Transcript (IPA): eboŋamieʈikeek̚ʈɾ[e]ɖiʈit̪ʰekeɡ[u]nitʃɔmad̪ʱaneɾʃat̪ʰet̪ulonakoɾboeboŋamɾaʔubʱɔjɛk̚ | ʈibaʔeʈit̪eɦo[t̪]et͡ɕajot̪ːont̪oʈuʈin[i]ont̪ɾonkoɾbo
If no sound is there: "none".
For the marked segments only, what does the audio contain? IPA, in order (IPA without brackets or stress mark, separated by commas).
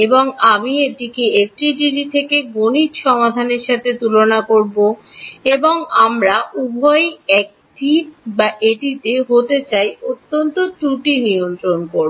i, o, t̪, i